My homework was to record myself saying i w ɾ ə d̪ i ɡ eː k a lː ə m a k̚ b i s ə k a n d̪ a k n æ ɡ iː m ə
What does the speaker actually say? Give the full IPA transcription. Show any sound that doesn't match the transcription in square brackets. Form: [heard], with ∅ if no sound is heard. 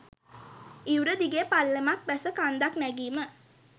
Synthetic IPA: i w ɾ ə d̪ i ɡ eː [p] a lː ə m a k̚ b [æ] s ə k a n d̪ a k n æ ɡ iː m ə